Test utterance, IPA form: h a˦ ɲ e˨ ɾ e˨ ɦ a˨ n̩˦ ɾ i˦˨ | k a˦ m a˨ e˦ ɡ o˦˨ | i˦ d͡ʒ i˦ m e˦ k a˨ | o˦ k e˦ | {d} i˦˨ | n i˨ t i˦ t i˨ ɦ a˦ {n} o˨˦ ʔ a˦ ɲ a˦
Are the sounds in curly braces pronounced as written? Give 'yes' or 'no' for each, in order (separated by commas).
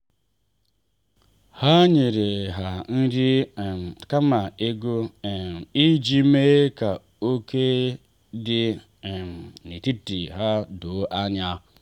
yes, no